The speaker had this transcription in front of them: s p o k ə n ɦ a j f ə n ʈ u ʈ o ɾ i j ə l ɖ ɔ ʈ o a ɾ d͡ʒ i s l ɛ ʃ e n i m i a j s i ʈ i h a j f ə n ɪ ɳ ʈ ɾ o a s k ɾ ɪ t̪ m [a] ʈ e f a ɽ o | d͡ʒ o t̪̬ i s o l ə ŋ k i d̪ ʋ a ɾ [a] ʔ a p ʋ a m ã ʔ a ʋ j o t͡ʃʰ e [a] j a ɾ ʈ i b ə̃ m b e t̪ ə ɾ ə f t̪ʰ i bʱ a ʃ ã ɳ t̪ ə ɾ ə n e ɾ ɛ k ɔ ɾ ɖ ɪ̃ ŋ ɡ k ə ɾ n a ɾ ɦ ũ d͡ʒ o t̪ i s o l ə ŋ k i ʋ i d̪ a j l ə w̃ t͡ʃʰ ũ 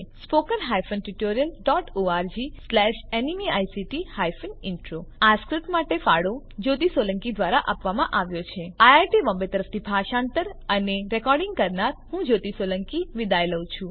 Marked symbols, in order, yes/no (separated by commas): yes, yes, yes